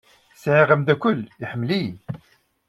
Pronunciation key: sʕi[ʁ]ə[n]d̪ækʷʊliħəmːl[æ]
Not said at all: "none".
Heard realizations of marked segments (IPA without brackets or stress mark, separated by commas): ʁ, m, i